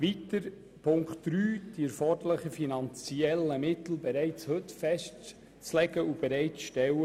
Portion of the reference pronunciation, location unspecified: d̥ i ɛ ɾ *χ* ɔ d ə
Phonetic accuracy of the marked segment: incorrect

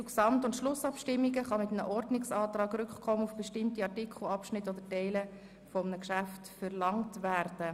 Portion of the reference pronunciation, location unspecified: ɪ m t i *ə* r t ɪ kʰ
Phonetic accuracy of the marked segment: incorrect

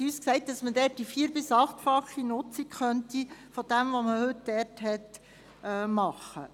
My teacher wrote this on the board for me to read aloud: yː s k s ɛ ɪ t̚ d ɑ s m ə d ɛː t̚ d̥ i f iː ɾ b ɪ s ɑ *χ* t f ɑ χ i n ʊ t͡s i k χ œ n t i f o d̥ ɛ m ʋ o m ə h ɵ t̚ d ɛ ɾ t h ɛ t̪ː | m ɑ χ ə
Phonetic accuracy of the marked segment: correct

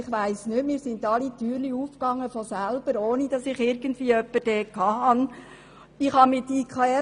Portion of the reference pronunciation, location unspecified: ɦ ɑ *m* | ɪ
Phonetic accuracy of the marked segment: incorrect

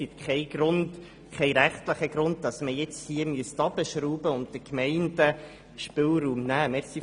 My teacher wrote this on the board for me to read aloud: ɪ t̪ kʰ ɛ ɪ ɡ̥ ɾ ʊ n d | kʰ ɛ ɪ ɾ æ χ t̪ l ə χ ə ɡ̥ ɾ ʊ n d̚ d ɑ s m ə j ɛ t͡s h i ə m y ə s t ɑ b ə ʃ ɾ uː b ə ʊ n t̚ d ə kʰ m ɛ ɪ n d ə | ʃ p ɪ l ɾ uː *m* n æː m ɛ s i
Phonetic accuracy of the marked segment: correct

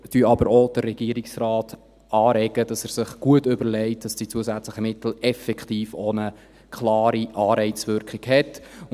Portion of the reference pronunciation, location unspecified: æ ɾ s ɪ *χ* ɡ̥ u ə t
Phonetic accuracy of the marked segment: correct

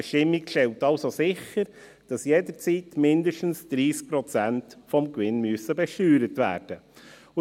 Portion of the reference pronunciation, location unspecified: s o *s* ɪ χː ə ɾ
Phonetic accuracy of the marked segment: correct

